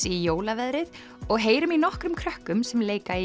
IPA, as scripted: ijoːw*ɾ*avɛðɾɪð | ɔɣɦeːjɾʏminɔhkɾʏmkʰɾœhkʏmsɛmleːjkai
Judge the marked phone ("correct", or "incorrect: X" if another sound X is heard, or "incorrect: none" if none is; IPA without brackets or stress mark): incorrect: l